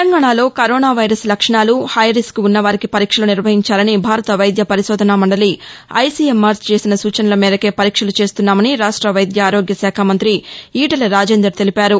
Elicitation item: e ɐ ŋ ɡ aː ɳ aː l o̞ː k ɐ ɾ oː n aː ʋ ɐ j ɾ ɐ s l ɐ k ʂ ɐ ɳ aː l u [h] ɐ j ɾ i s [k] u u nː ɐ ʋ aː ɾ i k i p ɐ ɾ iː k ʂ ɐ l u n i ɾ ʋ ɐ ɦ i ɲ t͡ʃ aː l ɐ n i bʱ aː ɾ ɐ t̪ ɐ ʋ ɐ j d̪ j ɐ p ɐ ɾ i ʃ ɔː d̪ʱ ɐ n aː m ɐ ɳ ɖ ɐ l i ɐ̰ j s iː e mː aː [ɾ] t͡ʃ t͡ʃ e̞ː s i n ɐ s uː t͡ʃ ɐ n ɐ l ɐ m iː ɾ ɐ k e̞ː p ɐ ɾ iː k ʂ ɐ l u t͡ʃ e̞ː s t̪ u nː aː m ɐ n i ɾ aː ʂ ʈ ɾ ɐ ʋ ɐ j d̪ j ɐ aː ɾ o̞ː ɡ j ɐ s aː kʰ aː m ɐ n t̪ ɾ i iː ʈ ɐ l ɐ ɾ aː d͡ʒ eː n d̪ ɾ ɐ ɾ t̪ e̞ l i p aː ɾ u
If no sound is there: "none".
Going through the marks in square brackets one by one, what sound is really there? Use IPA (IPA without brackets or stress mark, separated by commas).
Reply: h, k, ɾ